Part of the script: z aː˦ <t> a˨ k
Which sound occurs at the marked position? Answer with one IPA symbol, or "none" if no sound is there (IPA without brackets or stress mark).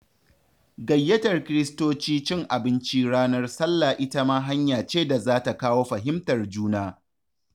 t